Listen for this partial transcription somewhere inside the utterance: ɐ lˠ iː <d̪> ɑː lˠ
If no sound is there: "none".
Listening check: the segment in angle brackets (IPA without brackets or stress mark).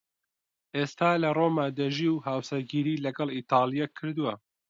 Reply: t̪